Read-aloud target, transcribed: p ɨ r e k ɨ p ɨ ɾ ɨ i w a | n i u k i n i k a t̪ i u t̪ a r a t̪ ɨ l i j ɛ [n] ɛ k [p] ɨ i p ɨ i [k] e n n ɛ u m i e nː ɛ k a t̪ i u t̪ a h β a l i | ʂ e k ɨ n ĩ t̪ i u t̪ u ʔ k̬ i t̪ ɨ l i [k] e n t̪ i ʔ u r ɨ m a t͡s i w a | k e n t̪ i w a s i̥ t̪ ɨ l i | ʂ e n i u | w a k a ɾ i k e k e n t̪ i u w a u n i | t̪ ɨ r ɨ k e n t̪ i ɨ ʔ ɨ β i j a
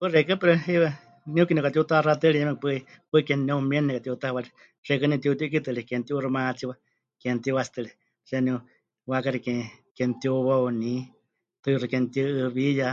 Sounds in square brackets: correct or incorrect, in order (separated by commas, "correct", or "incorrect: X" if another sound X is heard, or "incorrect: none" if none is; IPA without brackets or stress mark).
incorrect: m, correct, correct, correct